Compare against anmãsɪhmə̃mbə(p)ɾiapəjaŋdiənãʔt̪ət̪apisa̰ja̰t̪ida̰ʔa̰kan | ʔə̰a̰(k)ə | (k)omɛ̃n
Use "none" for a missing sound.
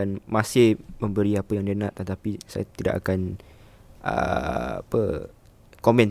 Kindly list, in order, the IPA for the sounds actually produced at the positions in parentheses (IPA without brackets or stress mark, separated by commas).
none, p, k